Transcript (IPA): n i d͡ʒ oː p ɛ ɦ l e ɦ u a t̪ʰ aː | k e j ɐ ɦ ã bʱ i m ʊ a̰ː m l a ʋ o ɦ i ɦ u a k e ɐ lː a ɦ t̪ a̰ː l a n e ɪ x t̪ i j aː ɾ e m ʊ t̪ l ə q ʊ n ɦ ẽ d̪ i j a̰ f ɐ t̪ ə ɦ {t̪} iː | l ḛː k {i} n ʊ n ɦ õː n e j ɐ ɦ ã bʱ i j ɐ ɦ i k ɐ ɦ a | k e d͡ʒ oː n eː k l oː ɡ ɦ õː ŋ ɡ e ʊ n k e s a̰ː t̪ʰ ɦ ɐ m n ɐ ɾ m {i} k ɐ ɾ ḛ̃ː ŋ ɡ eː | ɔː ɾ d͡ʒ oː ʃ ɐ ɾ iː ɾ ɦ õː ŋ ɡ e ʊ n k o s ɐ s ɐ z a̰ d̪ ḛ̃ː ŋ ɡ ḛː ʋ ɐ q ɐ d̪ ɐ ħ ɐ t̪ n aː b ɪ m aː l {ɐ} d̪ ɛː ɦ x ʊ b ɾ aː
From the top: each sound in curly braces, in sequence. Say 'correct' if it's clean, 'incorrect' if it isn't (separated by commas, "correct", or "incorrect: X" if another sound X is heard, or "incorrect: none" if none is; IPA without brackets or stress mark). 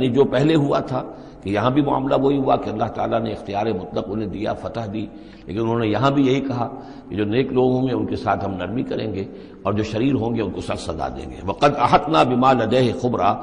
incorrect: d̪, incorrect: ɪ, correct, correct